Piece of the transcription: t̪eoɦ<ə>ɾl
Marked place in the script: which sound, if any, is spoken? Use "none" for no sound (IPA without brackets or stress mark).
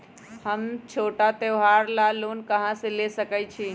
a